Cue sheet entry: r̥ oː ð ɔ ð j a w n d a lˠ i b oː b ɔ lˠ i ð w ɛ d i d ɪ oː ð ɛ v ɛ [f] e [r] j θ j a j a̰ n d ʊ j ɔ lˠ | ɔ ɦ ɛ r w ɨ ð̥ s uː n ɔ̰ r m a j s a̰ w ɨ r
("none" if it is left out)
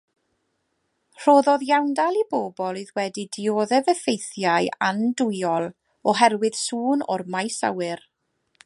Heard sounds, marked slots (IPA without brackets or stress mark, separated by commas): f, none